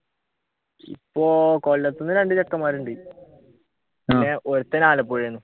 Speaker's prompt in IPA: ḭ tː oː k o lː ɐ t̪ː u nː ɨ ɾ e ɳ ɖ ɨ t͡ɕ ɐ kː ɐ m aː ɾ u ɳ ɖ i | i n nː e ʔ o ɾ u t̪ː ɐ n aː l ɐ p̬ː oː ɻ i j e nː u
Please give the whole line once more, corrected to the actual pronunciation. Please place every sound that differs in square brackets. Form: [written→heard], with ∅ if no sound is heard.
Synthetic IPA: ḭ [tː→pː] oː k o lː ɐ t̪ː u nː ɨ ɾ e ɳ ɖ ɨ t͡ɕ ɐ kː ɐ m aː ɾ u ɳ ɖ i | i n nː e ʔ o ɾ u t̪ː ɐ n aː l ɐ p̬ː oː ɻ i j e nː u

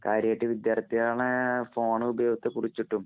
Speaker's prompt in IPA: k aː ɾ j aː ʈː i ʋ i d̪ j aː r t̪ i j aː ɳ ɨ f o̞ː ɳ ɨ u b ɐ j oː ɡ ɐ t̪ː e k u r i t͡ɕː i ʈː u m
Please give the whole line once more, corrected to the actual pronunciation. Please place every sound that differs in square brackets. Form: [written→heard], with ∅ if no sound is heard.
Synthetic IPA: k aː ɾ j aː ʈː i ʋ i d̪ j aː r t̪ i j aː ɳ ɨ f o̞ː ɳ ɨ u b ɐ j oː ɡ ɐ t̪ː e k u r i t͡ɕː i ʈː u m

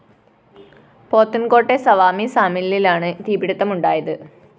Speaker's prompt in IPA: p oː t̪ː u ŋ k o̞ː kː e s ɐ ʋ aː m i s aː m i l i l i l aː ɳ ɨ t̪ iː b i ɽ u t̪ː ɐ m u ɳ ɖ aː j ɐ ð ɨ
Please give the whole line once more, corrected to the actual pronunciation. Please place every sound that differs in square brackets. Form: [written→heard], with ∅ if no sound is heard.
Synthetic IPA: p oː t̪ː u [ŋ→n] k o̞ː [kː→ʈː] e s ɐ ʋ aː m i s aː m i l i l i l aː ɳ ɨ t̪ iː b i ɽ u t̪ː ɐ m u ɳ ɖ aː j ɐ ð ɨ

